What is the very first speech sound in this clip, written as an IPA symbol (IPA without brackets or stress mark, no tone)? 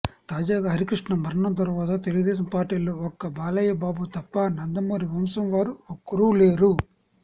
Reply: t̪